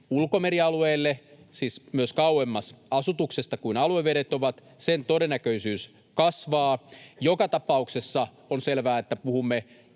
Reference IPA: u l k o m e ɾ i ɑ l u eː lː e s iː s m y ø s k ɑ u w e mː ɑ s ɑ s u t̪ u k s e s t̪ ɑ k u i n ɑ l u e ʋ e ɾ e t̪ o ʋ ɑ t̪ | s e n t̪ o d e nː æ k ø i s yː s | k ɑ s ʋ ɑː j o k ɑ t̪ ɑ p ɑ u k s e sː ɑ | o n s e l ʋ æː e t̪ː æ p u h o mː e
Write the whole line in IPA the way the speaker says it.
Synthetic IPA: u l k o m e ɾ i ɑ l u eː lː e s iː s m y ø s k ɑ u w e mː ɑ s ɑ s u t̪ u k s e s t̪ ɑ k u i n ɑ l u e ʋ e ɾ e t̪ o ʋ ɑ t̪ | s e n t̪ o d e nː æ k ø i s yː s | k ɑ s ʋ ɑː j o k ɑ t̪ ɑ p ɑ u k s e sː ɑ | o n s e l ʋ æː e t̪ː æ p u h u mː e

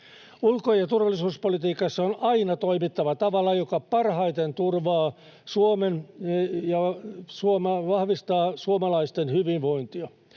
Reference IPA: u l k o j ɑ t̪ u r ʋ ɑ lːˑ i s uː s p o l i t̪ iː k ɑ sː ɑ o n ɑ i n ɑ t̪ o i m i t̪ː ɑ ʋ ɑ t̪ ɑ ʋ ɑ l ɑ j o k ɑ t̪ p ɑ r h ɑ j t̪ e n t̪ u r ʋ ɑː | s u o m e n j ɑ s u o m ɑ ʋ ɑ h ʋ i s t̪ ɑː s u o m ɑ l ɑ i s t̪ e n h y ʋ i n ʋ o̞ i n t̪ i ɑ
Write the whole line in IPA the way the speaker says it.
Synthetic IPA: u l k o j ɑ t̪ u r ʋ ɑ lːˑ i s uː s p o l i t̪ iː k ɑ sː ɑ o n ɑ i n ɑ t̪ o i m i t̪ː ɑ ʋ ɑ t̪ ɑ ʋ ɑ l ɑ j o k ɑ p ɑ r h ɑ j t̪ e n t̪ u r ʋ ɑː | s u o m e n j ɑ s u o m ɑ ʋ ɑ h ʋ i s t̪ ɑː s u o m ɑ l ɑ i s t̪ e n h y ʋ i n ʋ o̞ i n t̪ i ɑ

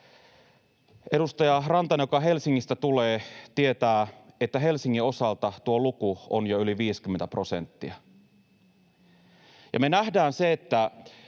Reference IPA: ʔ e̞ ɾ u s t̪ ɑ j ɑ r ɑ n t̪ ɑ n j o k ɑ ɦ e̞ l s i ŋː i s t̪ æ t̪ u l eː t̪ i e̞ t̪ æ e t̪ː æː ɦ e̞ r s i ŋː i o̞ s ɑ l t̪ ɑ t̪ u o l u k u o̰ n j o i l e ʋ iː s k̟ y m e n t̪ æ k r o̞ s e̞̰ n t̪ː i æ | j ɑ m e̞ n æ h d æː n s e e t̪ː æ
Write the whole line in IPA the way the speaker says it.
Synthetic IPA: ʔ e̞ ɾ u s t̪ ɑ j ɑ r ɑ n t̪ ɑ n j o k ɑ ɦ e̞ l s i ŋː i s t̪ æ t̪ u l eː t̪ i e̞ t̪ æː e t̪ː æ ɦ e̞ l s i ŋː i o̞ s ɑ l t̪ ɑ t̪ u o l u k u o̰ n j o y l i ʋ iː s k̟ y m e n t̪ æ p r o̞ s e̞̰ n t̪ː i æ | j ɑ m e̞ n æ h d æː n s e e t̪ː æ

